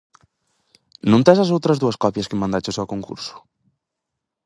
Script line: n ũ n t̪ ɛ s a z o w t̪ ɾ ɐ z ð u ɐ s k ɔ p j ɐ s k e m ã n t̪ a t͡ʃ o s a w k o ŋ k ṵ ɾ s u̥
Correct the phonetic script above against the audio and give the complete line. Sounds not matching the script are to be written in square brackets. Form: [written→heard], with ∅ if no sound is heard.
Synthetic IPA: n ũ n t̪ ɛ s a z o w t̪ ɾ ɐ z ð u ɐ s k ɔ p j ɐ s k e m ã n [t̪→d̪] a t͡ʃ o s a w k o ŋ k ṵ ɾ s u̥